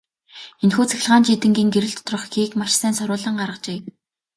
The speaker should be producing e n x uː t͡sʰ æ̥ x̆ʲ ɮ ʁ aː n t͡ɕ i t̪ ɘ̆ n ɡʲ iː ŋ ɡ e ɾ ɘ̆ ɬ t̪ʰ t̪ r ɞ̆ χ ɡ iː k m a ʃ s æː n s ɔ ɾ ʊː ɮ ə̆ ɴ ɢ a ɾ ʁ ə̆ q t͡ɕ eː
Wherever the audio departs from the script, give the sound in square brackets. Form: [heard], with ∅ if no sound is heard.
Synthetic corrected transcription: e n x uː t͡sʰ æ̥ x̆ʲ ɮ ʁ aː n t͡ɕ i t̪ ɘ̆ [ŋ] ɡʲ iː ŋ ɡ e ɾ ɘ̆ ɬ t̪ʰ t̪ r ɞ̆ χ ɡ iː k m a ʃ s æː n s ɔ ɾ ʊː ɮ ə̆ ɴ ɢ a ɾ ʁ ə̆ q t͡ɕ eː